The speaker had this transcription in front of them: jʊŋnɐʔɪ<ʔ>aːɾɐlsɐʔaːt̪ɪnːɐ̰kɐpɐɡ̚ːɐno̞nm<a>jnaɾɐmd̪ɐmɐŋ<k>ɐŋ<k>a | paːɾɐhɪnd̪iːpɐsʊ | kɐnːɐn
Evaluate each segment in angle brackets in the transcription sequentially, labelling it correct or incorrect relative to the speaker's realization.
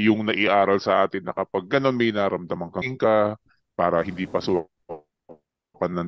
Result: correct, incorrect, correct, correct

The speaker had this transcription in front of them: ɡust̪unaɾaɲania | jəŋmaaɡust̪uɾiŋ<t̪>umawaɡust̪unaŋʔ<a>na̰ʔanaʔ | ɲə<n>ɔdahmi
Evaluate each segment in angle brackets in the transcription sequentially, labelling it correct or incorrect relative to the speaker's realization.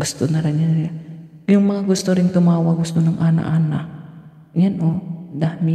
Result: correct, correct, correct

